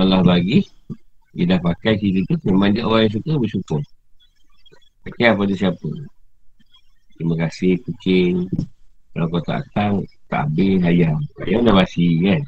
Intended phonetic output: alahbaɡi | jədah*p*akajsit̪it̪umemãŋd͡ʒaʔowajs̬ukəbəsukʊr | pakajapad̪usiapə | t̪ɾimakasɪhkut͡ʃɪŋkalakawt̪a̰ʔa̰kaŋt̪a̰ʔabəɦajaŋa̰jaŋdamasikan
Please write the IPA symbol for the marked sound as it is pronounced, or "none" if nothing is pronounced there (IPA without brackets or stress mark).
p